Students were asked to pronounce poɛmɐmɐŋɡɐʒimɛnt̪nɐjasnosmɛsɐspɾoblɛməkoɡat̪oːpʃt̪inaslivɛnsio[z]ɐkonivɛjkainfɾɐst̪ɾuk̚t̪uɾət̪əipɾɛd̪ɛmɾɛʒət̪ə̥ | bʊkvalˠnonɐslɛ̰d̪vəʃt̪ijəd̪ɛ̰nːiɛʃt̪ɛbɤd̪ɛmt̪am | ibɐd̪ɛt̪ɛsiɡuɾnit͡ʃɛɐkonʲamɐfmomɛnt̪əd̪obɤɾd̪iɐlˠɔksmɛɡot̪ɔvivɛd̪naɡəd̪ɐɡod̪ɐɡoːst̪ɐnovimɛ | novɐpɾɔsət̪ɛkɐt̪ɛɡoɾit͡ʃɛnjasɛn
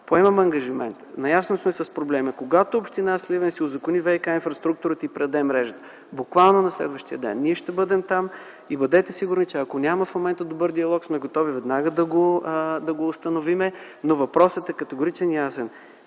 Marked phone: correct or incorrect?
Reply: correct